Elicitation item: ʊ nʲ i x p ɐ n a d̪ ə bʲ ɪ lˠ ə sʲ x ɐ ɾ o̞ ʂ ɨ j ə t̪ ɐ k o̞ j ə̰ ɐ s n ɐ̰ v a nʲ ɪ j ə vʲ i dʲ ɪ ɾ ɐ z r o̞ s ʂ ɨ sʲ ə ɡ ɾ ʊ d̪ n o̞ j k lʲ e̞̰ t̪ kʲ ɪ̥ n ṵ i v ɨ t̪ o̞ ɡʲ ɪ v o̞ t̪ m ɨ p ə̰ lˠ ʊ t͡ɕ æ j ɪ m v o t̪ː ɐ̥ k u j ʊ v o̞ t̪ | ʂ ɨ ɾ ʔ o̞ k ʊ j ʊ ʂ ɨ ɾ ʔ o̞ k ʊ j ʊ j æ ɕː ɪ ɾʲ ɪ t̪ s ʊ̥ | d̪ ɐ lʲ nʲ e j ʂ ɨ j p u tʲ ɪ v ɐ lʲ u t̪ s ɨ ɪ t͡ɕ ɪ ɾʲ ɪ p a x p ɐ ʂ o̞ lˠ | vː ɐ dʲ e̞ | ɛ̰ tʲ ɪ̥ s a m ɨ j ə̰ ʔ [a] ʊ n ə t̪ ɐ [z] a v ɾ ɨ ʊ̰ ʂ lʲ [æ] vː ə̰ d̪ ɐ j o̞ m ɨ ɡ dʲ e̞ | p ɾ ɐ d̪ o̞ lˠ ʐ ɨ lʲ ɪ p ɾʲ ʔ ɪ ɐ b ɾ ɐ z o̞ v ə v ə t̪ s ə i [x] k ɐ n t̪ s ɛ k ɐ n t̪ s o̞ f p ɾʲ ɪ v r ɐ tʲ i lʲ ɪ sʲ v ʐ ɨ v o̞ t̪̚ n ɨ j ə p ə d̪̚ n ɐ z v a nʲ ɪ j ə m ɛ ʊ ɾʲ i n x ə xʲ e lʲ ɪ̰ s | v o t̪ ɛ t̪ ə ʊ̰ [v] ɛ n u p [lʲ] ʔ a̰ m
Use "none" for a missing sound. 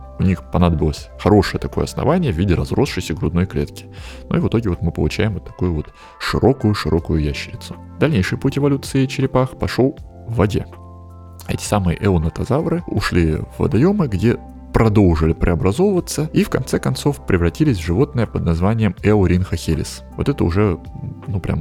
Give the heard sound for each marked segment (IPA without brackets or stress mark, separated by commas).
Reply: ɛ, z, i, f, ʐ, ɾʲ